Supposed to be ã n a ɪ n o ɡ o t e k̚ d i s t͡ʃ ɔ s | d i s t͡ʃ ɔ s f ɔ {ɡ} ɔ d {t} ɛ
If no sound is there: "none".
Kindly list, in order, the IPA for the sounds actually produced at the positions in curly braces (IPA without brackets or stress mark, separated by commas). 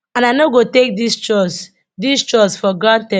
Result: ɡ, t